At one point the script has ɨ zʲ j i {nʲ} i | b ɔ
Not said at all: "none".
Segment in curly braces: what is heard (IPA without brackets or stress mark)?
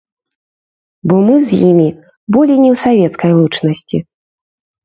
mʲ